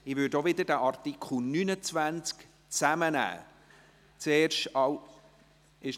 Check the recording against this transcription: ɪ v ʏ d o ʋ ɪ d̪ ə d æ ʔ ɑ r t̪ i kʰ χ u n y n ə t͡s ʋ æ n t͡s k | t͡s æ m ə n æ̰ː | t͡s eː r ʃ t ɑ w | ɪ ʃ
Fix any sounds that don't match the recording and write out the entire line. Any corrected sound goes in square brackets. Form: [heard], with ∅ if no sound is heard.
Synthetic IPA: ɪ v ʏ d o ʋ ɪ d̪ ə d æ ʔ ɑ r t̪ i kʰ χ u n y n ə t͡s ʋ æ n t͡s k | t͡s æ m ə n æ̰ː | t͡s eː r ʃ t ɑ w | ɪ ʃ